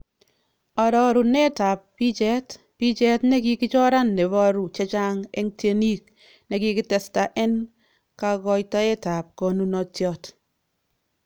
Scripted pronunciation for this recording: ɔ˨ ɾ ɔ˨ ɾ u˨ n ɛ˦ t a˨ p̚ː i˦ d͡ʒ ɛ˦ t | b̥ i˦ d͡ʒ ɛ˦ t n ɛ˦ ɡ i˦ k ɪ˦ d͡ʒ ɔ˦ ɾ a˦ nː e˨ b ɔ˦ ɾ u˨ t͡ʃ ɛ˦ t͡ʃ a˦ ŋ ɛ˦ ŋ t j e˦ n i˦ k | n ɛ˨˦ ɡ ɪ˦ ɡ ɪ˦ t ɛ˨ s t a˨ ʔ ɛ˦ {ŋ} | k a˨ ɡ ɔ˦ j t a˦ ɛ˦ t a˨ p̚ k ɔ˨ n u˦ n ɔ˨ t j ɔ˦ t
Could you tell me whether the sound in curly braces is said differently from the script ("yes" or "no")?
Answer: yes